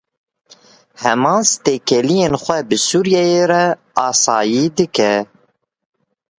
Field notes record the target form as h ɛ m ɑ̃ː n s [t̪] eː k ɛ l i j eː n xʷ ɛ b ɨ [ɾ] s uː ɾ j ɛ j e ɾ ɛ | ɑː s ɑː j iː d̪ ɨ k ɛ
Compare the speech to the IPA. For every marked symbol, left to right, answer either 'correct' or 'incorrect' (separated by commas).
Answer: correct, incorrect